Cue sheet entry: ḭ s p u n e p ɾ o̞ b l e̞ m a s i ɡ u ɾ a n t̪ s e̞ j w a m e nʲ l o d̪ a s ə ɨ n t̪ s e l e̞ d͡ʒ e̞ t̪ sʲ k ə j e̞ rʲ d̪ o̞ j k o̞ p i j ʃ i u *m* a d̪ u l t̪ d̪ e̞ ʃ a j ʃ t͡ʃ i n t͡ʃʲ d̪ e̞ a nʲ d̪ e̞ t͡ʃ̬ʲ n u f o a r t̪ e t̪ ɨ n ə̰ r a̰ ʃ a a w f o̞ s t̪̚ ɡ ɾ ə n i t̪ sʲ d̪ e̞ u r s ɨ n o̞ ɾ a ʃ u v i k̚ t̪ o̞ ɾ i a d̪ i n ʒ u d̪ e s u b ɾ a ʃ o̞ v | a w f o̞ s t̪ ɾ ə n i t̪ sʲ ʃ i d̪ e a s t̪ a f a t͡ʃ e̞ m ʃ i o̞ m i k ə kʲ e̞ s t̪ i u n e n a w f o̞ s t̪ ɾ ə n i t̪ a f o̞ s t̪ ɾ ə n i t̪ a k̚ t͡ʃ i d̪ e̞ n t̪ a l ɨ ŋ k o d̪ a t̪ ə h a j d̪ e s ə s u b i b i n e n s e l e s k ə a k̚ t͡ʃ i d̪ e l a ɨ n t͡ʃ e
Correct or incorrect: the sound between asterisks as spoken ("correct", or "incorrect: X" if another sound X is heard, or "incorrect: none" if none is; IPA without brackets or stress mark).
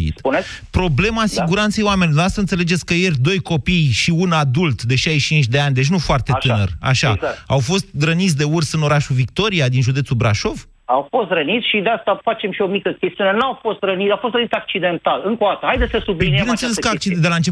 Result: incorrect: n